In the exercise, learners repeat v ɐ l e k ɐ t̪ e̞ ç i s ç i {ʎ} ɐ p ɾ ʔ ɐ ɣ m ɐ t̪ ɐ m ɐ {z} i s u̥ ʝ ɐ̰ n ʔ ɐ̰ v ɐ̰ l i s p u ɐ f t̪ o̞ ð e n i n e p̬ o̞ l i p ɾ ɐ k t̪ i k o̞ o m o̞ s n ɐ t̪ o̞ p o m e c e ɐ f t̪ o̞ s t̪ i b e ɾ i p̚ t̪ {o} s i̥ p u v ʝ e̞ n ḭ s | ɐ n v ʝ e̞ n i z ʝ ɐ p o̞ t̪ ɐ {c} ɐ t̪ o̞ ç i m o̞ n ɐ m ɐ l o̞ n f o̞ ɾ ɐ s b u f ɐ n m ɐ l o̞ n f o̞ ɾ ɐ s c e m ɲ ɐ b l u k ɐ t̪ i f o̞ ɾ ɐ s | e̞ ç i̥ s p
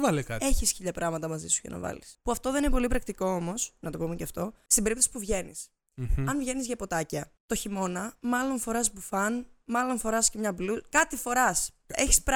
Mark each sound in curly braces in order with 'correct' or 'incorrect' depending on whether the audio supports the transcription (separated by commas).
correct, correct, correct, correct